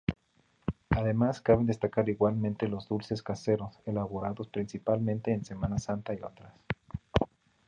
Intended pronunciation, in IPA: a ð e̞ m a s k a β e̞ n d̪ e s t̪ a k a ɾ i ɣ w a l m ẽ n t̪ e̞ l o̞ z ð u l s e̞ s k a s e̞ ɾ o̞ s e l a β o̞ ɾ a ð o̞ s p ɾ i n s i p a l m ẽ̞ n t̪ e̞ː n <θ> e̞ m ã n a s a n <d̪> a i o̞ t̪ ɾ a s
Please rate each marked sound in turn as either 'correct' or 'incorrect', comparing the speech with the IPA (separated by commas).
incorrect, incorrect